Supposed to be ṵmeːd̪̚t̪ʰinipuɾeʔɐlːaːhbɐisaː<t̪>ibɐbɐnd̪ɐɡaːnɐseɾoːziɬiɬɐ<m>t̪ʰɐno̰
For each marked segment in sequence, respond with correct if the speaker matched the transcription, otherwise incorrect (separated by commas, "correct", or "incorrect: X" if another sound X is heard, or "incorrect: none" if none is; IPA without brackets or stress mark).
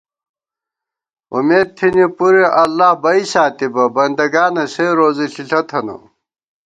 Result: correct, incorrect: none